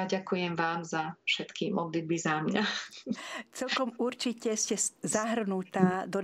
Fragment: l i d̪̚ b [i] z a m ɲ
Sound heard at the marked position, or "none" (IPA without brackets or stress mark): i